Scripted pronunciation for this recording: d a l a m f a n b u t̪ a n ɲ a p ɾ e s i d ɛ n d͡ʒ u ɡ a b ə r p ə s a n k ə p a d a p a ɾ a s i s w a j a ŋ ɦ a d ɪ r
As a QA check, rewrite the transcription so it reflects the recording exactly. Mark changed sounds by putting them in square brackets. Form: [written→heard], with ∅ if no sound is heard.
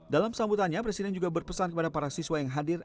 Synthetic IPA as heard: d a l a m [f→s] a [n→m] b u t̪ a n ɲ a p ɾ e s i d ɛ n d͡ʒ u ɡ a b ə r p ə s a n k ə p a d a p a ɾ a s i s w a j a ŋ ɦ a d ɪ r

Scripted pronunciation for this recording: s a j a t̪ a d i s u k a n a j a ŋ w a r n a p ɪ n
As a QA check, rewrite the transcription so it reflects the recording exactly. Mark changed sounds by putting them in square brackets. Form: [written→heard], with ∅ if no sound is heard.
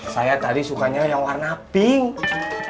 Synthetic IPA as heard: s a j a t̪ a d i s u k a [n→ɲ] a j a ŋ w a r n a p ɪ [n→ŋ]

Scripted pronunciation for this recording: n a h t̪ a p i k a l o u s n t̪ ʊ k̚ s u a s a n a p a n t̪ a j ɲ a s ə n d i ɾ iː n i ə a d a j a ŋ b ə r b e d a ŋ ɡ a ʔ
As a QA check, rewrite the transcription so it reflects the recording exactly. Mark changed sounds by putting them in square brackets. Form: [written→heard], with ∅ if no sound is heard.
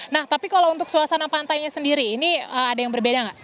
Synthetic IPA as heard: n a h t̪ a p i k a l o u [s→∅] n t̪ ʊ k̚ s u a s a n a p a n t̪ a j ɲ a s ə n d i ɾ iː n i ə a d a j a ŋ b ə r b e d a ŋ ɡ a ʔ

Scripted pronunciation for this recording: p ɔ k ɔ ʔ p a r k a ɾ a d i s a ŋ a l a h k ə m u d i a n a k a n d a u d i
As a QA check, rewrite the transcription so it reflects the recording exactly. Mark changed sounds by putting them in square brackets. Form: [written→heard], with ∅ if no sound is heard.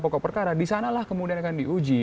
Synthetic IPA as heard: p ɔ k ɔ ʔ p [a→ə] r k a ɾ a d i s a [ŋ→n] a l a h k ə m u d i a n a k a n d [a→i] u [d→d͡ʒ] i

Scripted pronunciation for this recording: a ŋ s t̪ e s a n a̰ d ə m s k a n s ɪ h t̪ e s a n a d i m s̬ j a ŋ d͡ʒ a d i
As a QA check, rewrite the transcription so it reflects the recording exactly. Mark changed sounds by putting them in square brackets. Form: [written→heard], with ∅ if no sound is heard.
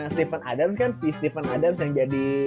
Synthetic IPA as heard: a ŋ s t̪ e [s→f] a n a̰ d [ə→a] m s k a n s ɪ [h→s] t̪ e [s→f] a n a d [i→a] m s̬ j a ŋ d͡ʒ a d i

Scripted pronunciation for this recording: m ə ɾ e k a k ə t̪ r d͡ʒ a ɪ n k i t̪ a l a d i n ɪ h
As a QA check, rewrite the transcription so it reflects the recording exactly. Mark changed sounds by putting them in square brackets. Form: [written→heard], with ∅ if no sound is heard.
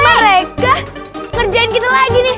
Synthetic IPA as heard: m ə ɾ e k a k ə [t̪→∅] r d͡ʒ a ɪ n k i t̪ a l a [d→ɡ] i n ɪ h

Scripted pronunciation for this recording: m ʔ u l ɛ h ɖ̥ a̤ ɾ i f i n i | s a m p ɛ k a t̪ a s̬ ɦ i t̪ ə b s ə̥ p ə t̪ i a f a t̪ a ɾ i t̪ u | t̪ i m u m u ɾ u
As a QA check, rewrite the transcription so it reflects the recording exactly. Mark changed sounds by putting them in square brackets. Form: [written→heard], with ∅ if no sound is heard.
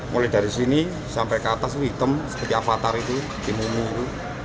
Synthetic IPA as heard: m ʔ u l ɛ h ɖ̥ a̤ ɾ i [f→s] i n i | s a m p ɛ k a t̪ a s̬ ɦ i t̪ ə [b→m] s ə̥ p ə t̪ i a f a t̪ a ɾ i t̪ u | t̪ i m u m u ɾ u

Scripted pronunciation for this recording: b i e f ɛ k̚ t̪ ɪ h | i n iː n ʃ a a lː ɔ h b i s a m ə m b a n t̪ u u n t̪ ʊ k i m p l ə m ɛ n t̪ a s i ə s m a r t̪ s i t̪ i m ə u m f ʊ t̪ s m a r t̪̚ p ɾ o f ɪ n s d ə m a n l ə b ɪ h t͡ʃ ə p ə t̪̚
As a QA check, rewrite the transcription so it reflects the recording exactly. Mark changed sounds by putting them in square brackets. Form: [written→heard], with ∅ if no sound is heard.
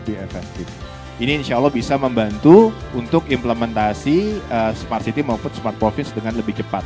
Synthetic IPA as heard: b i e f ɛ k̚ t̪ ɪ [h→f] | i n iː n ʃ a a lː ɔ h b i s a m ə m b a n t̪ u u n t̪ ʊ k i m p l ə m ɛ n t̪ a s i ə s m a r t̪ s i t̪ i m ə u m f ʊ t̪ s m a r t̪̚ p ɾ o f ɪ n s d ə [m→ŋ] a n l ə b ɪ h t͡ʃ ə p [ə→a] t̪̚

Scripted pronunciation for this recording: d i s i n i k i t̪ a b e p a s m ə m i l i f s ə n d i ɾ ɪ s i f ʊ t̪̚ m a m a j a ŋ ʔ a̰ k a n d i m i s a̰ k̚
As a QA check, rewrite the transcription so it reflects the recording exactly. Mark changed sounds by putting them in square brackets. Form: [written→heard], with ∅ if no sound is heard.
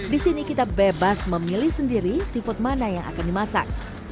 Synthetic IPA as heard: d i s i n i k i t̪ a b e [p→b] a s m ə m i l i [f→h] s ə n d i ɾ [ɪ→i] s i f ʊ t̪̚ m a [m→n] a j a ŋ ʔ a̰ k a n d i m [i→a] s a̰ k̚

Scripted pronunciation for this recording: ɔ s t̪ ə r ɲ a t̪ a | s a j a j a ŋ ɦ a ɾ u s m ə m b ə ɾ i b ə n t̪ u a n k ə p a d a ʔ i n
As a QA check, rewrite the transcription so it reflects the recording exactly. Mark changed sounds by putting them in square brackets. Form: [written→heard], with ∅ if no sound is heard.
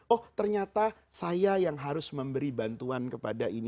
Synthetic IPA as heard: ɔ [s→h] t̪ ə r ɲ a t̪ a | s a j a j a ŋ ɦ a ɾ [u→ʊ] s m ə m b ə ɾ i b [ə→a] n t̪ u a n k ə p a d a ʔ i n

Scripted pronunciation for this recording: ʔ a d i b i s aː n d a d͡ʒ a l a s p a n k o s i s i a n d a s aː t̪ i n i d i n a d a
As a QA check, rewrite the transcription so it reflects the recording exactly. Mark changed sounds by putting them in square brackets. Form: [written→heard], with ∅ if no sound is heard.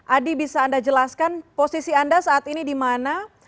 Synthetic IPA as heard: ʔ a d i b i s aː n d a d͡ʒ [a→ə] l a s [p→k] a n [k→p] o s i s i a n d a s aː t̪ i n i d i [n→m] a [d→n] a

